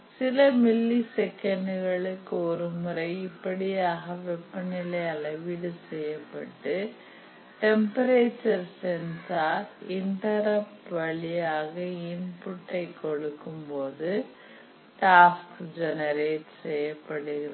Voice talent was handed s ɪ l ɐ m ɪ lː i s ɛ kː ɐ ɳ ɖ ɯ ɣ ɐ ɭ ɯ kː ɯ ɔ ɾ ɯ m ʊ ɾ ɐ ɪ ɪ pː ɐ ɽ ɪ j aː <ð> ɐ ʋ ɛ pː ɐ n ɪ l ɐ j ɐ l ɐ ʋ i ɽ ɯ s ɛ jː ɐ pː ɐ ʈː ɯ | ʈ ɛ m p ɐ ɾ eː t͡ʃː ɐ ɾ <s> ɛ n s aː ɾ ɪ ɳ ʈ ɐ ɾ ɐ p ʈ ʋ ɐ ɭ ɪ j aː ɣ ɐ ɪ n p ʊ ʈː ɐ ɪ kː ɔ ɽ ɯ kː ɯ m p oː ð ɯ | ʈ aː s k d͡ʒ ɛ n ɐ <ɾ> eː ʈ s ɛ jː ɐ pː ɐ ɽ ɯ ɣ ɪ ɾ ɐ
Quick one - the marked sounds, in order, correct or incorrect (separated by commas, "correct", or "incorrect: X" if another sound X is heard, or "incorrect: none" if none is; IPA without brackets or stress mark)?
incorrect: ɣ, correct, correct